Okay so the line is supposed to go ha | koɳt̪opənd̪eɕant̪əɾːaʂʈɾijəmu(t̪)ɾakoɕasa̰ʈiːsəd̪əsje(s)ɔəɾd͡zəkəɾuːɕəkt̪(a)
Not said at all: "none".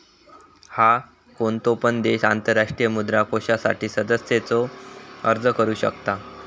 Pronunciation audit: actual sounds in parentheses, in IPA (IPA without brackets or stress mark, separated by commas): d̪, t͡s, a